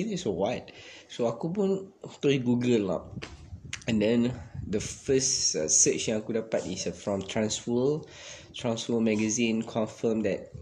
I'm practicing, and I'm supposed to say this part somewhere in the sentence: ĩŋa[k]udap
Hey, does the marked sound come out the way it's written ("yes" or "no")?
yes